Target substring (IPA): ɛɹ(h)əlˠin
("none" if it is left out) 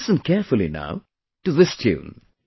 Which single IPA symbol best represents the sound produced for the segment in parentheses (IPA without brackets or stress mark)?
f